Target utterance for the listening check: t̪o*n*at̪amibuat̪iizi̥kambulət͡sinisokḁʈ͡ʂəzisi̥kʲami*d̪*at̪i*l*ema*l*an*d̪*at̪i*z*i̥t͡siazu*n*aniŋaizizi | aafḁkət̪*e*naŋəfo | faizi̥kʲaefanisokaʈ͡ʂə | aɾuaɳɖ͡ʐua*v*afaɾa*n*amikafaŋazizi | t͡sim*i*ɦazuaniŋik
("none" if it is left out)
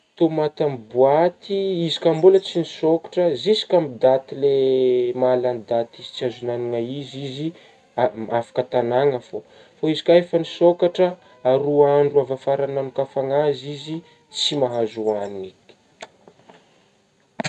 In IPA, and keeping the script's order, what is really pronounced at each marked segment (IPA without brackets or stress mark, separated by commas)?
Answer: m, d̪, l, l, d̪, z, n, a, v, n, a